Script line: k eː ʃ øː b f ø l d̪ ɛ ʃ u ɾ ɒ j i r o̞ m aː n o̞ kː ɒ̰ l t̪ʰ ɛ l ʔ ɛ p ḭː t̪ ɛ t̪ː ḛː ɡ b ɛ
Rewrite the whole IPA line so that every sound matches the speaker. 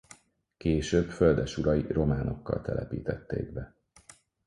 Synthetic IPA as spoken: k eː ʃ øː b f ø l d̪ ɛ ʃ u ɾ ɒ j i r o̞ m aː n o̞ kː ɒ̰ l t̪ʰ ɛ l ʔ ɛ p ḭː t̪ ɛ t̪ː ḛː ɡ b ɛ